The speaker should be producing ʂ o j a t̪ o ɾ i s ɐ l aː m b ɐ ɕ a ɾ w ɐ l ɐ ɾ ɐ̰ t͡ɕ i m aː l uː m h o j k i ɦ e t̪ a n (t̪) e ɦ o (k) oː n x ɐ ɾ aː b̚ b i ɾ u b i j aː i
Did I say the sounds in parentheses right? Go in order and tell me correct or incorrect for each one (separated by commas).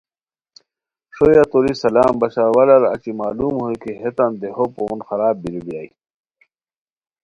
incorrect, incorrect